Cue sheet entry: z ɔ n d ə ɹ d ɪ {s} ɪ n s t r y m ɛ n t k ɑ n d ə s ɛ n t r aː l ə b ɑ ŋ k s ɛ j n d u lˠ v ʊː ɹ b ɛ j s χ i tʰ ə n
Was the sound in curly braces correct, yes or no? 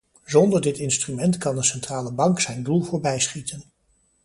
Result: no